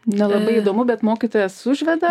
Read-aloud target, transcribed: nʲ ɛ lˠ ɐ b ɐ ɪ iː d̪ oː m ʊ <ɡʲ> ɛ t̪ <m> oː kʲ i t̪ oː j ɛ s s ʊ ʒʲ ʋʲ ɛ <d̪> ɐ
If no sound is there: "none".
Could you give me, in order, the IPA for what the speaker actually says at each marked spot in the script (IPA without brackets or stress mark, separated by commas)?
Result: bʲ, m, d̪